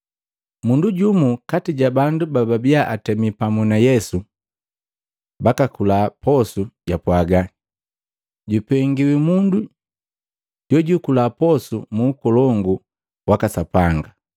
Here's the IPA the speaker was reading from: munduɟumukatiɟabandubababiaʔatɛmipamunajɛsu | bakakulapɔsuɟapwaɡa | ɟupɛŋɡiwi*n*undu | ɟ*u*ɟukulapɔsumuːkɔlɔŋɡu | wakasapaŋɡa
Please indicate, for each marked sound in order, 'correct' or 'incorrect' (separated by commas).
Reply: incorrect, incorrect